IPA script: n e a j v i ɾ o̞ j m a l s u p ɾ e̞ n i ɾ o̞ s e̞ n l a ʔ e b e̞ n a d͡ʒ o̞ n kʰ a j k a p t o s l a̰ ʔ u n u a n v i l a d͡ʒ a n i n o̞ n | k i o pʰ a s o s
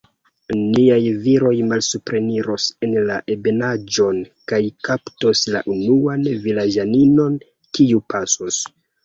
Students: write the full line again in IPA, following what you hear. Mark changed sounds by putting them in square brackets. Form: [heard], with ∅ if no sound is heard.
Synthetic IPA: n [i] a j v i ɾ o̞ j m a l s u p ɾ e̞ n i ɾ o̞ s e̞ n l a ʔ e b e̞ n a d͡ʒ o̞ n [k] a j k a p t o s l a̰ ʔ u n u a n v i l a d͡ʒ a n i n o̞ n | k i [u] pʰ a s o s